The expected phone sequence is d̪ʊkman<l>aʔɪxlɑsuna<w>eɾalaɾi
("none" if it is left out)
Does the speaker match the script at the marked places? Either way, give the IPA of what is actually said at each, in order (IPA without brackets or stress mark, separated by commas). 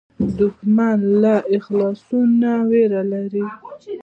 l, w